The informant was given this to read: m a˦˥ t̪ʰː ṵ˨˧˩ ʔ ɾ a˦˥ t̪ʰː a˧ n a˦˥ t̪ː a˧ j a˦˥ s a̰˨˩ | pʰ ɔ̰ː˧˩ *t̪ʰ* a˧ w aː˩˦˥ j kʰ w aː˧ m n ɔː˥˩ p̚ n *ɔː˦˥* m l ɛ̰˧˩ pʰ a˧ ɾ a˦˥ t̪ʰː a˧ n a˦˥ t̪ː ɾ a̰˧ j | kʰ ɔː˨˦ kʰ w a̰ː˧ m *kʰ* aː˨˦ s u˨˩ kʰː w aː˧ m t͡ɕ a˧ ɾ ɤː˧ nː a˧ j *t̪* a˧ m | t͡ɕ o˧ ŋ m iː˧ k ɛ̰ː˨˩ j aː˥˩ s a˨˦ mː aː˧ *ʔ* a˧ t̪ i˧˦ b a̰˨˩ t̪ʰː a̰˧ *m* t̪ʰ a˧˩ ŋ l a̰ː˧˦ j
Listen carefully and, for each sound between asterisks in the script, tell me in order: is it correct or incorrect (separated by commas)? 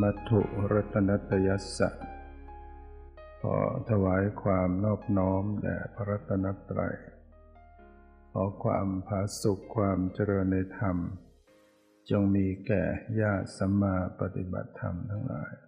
correct, correct, incorrect, incorrect, incorrect, correct